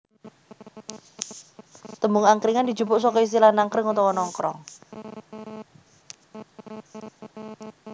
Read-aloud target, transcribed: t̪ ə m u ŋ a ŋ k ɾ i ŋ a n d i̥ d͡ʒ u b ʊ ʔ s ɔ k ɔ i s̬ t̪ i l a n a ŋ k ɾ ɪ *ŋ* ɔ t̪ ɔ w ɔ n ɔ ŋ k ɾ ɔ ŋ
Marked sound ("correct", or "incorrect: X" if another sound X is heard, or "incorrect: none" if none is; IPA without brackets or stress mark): correct